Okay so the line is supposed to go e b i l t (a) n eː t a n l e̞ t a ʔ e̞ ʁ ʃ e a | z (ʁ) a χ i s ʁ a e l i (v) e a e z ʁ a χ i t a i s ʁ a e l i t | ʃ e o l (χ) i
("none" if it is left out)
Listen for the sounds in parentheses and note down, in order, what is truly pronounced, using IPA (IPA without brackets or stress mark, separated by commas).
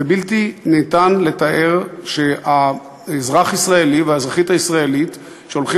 i, ʁ, v, χ